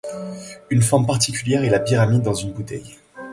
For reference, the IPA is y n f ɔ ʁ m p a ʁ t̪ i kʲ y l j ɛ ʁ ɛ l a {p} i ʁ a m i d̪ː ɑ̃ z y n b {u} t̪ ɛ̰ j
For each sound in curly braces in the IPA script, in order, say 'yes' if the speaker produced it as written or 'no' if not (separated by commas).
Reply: yes, yes